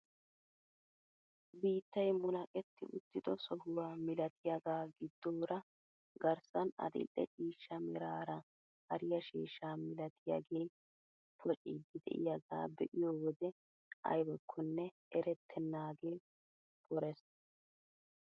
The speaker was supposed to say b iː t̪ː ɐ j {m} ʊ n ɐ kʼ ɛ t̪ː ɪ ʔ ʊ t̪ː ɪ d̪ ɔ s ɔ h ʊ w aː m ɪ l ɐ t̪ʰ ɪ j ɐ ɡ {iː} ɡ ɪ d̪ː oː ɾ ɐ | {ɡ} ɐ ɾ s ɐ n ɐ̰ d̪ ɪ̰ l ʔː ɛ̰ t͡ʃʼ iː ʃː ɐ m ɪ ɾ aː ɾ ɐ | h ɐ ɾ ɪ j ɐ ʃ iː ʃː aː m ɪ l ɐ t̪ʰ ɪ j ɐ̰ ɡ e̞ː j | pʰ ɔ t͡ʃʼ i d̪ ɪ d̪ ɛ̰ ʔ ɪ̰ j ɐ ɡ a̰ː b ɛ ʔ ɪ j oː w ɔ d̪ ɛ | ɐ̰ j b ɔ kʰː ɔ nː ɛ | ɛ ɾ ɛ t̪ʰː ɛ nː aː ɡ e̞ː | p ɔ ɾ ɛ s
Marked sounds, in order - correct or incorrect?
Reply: correct, incorrect: aː, correct

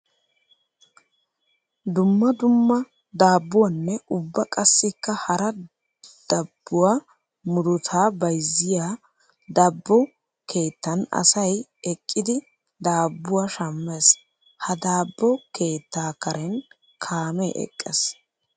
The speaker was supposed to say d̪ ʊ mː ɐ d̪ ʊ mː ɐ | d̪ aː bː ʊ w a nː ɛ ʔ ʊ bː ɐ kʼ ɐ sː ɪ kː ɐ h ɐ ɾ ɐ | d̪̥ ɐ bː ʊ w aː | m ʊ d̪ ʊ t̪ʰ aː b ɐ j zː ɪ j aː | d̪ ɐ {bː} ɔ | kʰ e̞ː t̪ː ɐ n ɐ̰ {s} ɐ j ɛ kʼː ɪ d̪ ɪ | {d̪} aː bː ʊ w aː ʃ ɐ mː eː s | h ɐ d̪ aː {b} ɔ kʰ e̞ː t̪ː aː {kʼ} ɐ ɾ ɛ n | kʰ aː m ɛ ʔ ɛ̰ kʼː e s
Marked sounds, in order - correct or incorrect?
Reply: correct, correct, correct, incorrect: bː, incorrect: k

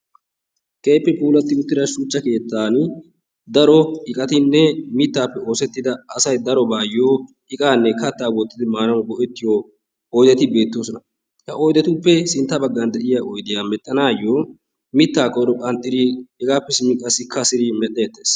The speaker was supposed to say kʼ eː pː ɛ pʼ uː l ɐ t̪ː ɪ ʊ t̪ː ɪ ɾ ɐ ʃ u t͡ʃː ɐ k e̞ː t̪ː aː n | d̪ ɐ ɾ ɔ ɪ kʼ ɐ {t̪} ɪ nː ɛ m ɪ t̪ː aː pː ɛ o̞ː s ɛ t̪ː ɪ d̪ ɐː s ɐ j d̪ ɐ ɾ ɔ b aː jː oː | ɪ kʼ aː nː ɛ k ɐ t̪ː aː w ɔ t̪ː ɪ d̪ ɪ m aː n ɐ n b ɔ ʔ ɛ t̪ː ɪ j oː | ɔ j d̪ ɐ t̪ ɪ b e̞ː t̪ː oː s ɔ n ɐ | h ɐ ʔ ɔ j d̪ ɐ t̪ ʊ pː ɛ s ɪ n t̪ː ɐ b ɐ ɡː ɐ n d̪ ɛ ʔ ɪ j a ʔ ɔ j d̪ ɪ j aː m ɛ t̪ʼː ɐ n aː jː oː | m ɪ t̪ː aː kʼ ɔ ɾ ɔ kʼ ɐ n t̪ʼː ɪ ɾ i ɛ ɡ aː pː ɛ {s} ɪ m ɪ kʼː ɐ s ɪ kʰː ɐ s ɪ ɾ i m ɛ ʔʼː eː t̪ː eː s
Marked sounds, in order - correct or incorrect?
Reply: correct, correct

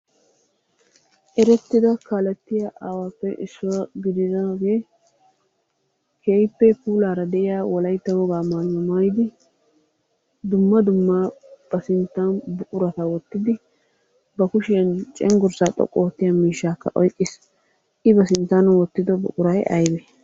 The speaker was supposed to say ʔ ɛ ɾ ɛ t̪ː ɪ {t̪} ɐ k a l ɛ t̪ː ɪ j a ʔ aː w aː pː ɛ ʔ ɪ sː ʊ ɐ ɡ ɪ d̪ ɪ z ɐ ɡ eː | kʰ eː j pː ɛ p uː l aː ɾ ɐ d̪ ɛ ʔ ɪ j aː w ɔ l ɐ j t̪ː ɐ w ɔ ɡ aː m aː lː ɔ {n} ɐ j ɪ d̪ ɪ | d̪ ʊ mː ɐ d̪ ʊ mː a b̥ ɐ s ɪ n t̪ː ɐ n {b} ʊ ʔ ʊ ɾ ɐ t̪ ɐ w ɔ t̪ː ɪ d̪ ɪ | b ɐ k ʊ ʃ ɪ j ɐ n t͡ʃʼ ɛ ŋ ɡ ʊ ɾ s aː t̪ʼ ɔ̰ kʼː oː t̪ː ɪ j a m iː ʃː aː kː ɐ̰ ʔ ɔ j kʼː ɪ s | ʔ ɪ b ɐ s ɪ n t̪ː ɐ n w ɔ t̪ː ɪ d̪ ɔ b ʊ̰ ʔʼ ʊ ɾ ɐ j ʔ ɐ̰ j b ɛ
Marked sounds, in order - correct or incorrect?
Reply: incorrect: d̪, incorrect: m, correct

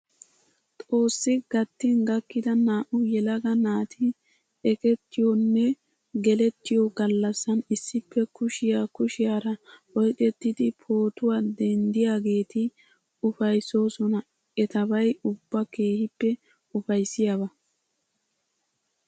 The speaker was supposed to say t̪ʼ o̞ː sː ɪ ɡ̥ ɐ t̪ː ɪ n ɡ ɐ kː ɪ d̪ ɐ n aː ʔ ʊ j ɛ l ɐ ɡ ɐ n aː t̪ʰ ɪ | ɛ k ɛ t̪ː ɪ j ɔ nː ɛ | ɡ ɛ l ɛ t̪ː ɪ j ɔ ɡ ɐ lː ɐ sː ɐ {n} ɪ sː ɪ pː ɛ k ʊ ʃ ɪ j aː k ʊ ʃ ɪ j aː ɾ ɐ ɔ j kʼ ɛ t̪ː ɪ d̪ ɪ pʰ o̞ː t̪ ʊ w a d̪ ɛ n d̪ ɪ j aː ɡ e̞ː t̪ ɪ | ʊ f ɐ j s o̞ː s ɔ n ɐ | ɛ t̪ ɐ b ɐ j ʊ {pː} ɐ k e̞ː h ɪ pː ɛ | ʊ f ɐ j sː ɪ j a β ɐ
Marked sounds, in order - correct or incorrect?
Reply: correct, incorrect: bː

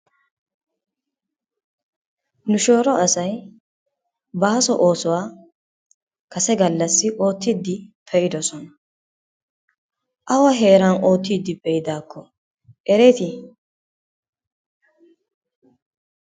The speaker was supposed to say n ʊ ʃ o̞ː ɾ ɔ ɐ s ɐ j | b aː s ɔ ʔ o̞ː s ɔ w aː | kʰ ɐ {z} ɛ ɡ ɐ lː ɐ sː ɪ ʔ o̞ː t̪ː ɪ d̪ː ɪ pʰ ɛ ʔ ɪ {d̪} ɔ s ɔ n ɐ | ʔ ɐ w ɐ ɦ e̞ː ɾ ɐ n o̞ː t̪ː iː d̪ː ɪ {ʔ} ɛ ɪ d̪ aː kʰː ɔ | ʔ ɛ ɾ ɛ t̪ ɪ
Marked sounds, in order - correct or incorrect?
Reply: incorrect: s, correct, incorrect: p

